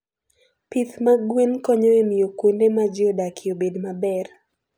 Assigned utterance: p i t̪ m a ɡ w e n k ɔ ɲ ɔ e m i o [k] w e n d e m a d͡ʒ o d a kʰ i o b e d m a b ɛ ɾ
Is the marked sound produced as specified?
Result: yes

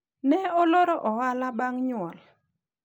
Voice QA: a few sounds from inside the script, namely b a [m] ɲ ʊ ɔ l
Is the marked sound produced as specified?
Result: no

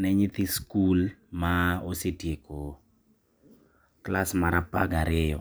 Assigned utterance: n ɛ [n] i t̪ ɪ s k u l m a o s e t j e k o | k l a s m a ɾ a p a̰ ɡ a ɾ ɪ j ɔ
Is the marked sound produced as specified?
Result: no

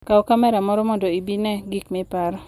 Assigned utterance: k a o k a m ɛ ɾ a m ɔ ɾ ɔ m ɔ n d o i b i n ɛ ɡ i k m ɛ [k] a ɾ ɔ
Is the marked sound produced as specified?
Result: no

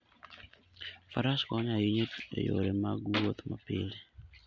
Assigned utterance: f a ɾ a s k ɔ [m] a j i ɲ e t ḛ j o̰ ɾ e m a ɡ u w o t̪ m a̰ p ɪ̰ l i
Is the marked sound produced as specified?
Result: no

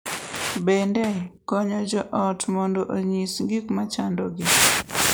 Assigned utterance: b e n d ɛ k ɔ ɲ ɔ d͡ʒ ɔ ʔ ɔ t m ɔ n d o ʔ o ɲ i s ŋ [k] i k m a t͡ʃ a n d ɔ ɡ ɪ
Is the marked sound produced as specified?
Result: no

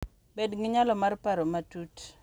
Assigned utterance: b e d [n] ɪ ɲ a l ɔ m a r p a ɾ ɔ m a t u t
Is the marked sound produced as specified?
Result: no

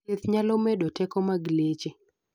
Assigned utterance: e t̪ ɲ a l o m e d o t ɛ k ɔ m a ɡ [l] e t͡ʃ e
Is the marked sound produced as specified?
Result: yes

